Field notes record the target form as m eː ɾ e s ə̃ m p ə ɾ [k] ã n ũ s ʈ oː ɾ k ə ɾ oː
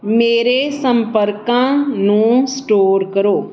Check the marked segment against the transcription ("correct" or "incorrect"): correct